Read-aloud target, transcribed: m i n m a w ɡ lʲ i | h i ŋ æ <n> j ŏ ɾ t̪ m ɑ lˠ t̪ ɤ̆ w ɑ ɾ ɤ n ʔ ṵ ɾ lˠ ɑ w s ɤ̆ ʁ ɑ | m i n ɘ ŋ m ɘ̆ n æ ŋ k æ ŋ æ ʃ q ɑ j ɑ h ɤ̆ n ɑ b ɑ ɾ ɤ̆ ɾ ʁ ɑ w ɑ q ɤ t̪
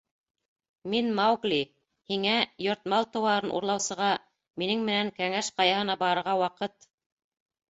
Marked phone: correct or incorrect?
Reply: incorrect